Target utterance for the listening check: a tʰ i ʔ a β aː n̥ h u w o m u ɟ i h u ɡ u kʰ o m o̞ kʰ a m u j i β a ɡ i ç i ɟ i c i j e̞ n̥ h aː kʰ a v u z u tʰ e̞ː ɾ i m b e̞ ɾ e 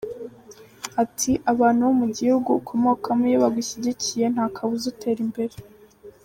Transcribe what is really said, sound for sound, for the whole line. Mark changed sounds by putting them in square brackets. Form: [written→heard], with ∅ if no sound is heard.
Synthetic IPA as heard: a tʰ i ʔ a β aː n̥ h u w o m u ɟ i h u ɡ u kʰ o m o̞ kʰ a m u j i β a ɡ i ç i ɟ i c i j e̞ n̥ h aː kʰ a [v→β] u z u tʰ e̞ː ɾ i m b e̞ ɾ e